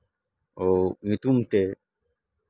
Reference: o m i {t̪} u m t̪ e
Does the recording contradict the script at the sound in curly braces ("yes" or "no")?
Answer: no